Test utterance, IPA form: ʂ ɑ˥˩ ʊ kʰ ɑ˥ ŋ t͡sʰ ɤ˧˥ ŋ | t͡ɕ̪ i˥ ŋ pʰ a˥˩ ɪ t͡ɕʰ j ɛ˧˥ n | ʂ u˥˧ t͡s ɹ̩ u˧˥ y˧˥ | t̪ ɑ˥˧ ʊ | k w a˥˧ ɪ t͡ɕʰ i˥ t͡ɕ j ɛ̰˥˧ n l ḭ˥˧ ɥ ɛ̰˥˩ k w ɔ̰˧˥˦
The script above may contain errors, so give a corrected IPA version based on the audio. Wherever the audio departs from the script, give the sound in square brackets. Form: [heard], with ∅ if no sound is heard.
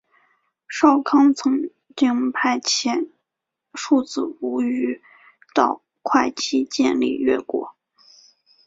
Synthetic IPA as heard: ʂ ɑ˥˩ ʊ kʰ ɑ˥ ŋ t͡sʰ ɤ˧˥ ŋ | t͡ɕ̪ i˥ ŋ pʰ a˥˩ ɪ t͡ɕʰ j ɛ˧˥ n | ʂ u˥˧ t͡s ɹ̩ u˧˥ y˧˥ | t̪ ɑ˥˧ ʊ | [kʰ] w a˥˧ ɪ t͡ɕʰ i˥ t͡ɕ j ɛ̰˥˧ n l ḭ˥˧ ɥ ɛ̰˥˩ k w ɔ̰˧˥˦